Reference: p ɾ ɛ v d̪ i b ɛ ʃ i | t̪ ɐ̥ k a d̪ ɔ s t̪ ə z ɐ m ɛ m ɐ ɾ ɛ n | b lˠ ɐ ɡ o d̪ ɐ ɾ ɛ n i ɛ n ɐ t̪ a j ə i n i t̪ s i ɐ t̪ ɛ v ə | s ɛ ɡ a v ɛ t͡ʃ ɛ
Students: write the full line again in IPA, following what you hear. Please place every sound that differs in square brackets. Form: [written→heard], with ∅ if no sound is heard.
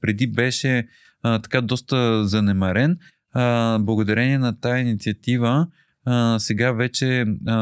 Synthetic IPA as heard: p ɾ ɛ [v→∅] d̪ i b ɛ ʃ [i→ɛ] | t̪ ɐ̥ k a d̪ ɔ s t̪ ə z ɐ [m→n] ɛ m ɐ ɾ ɛ n | b lˠ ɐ ɡ o d̪ ɐ ɾ ɛ n i ɛ n ɐ t̪ a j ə i n i t̪ s i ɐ t̪ [ɛ→i] v ə | s ɛ ɡ a v ɛ t͡ʃ ɛ